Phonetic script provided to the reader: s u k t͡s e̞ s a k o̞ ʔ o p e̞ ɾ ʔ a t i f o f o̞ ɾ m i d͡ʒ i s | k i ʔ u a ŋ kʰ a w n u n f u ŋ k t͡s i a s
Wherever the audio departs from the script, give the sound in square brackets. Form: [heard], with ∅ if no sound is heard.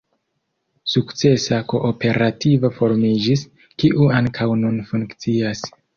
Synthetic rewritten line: s u k t͡s e̞ s a k o̞ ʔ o p e̞ ɾ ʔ a t i [v] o f o̞ ɾ m i d͡ʒ i s | k i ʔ u a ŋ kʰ a w n u n f u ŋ k t͡s i a s